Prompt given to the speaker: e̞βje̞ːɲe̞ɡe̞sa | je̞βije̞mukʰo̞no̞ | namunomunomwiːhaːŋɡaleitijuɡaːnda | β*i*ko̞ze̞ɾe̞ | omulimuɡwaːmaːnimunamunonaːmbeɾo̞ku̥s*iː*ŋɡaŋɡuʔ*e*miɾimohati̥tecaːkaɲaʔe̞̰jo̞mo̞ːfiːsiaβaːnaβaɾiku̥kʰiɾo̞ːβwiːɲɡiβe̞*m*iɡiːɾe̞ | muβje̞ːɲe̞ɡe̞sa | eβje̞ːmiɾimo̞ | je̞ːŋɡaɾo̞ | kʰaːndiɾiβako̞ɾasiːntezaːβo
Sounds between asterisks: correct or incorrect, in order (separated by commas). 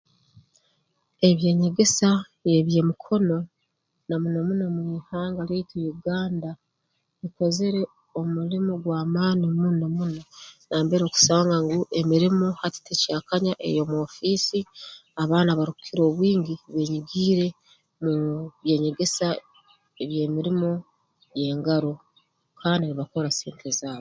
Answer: correct, incorrect, correct, incorrect